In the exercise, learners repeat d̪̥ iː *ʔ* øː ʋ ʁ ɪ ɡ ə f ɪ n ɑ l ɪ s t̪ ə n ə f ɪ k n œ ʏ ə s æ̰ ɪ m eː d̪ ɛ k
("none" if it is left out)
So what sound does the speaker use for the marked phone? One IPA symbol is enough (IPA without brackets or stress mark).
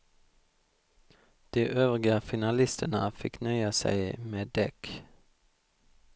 ʔ